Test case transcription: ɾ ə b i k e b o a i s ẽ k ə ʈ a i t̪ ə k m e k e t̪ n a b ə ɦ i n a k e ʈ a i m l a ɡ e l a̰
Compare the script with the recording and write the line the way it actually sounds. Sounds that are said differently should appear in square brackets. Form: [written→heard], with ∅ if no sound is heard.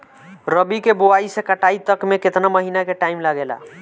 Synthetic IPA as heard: ɾ ə b i k e b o a i s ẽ k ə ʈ a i t̪ ə k m e k e t̪ n a [b→m] ə ɦ i n a k e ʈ a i m l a ɡ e l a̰